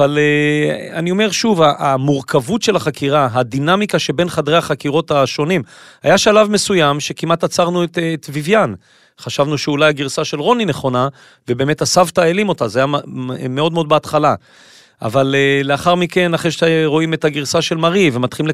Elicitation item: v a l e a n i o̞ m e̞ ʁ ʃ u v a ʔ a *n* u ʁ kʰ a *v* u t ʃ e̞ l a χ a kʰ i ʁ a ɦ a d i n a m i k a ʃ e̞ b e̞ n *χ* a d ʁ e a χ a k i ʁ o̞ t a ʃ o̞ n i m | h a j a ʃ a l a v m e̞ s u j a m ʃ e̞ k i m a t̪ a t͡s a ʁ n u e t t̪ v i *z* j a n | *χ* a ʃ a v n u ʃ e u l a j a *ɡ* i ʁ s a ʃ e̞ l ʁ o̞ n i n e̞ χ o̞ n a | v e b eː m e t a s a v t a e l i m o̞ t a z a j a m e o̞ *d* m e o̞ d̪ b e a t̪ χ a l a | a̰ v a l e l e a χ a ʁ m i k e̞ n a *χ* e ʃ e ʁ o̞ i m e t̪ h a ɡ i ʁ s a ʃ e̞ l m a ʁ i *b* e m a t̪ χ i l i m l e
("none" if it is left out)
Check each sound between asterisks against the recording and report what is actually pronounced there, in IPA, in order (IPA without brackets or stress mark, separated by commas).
m, v, χ, v, χ, ɡ, d, χ, v